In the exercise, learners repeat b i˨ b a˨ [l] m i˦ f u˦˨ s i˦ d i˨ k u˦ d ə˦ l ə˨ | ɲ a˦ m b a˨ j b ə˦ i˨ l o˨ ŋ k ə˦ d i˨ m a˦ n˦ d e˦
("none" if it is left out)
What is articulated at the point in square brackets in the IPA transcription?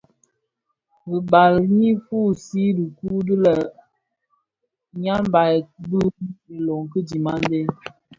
l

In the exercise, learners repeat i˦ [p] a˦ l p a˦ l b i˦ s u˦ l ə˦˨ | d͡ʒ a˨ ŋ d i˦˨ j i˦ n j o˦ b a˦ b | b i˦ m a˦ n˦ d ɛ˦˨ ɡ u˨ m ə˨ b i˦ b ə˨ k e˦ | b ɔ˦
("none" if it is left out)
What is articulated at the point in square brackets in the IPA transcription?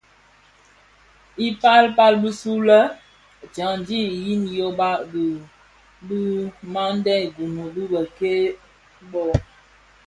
p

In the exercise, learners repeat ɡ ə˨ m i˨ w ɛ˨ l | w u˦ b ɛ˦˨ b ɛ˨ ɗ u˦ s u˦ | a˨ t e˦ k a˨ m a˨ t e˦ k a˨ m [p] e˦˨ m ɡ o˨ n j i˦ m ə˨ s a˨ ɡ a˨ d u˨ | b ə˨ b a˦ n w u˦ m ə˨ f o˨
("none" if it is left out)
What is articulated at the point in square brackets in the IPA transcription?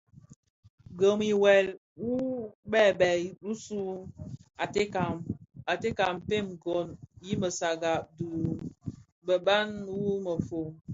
p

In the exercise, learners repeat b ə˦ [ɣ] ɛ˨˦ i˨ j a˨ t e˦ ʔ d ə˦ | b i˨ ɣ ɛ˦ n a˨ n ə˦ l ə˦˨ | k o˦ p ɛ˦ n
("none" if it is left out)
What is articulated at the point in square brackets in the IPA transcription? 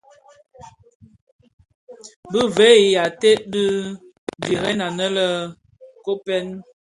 v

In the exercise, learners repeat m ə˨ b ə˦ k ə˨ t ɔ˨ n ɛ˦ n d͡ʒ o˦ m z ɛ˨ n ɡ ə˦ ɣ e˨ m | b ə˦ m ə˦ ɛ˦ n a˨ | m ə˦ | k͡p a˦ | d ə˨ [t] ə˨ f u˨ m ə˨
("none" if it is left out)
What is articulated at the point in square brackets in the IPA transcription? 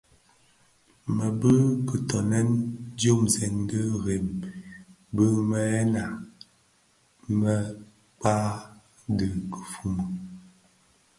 k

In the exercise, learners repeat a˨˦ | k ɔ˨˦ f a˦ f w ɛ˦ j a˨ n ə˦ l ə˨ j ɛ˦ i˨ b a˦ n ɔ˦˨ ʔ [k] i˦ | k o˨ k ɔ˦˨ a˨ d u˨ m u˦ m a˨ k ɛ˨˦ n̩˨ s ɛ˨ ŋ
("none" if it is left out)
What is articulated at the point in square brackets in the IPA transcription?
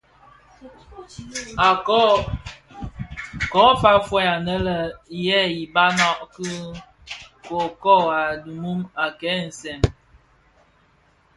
k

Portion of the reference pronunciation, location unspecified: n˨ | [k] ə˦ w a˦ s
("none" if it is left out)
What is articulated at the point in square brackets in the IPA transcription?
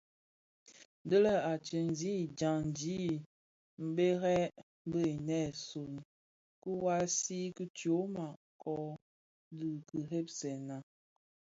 k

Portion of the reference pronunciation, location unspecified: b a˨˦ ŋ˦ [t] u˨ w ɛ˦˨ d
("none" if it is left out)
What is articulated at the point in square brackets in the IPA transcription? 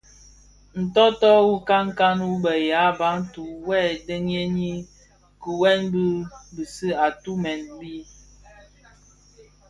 t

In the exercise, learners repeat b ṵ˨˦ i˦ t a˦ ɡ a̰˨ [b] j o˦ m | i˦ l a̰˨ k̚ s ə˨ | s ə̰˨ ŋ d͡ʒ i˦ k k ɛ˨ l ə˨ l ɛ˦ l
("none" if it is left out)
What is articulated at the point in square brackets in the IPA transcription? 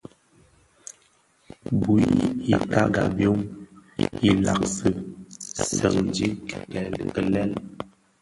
b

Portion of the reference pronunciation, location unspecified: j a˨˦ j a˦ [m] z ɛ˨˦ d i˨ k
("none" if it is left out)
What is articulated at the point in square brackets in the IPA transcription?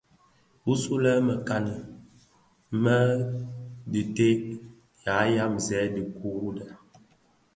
m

